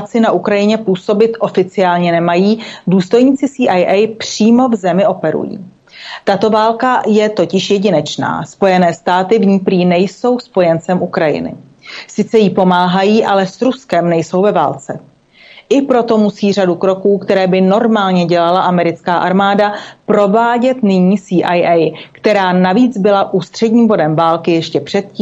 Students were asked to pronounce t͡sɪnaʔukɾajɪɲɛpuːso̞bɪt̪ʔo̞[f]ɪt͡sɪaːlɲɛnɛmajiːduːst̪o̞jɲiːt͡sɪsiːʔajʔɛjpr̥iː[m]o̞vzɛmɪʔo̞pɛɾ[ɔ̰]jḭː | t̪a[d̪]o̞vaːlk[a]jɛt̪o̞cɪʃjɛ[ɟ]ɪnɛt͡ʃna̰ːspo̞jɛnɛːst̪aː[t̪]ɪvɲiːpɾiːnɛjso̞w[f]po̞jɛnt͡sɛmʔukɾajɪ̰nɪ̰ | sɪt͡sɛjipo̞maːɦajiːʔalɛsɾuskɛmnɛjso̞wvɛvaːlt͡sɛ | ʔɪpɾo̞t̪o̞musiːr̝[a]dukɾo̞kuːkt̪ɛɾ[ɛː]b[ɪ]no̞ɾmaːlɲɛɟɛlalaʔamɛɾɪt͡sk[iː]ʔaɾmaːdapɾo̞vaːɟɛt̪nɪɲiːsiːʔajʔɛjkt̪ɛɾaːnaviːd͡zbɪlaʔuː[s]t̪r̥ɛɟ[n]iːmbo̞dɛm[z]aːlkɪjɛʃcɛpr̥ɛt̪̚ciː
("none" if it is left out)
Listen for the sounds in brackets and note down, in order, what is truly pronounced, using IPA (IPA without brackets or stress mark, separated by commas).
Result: f, m, ṵ, t̪, a, ɟ, t̪, s, a, ɛː, ɪ, aː, s, ɲ, v